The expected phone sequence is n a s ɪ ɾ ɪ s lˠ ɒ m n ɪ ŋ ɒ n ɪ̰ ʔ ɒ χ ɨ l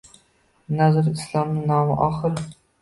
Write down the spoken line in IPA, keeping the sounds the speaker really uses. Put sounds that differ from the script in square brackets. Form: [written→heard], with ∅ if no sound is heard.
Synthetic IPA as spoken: n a [s→z] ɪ ɾ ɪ s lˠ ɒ m n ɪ [ŋ→n] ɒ [n→m] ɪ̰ ʔ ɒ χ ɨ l

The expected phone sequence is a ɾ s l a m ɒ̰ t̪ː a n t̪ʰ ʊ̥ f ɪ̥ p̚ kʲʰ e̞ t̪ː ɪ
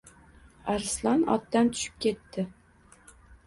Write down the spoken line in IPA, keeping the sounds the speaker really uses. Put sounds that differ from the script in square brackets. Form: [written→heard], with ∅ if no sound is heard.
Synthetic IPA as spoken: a ɾ s l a [m→n] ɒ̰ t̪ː a n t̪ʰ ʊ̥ [f→ʃ] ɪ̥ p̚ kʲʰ e̞ t̪ː ɪ

